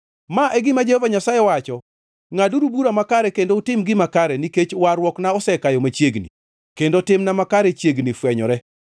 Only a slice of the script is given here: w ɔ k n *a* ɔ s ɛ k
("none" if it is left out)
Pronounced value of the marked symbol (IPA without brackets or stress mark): a